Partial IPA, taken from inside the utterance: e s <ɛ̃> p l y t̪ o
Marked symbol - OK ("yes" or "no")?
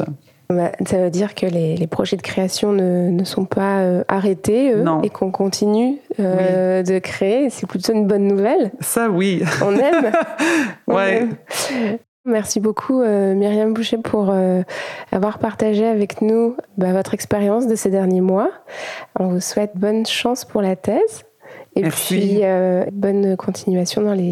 no